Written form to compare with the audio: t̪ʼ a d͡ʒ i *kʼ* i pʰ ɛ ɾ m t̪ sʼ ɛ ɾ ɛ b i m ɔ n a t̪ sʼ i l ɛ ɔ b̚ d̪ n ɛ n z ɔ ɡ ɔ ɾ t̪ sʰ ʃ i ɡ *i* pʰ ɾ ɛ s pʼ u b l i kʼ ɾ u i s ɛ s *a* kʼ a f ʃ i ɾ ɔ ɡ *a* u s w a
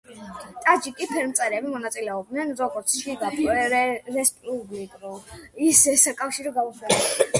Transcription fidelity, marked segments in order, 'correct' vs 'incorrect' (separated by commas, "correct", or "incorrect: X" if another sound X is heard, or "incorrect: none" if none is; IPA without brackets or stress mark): correct, incorrect: a, correct, correct